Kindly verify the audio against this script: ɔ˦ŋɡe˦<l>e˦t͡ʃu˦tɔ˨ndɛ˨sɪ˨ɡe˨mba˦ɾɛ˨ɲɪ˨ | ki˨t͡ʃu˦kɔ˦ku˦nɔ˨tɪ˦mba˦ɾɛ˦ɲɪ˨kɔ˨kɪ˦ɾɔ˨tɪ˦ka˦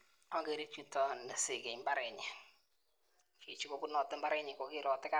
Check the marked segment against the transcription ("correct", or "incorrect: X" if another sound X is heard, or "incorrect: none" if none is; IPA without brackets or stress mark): incorrect: ɾ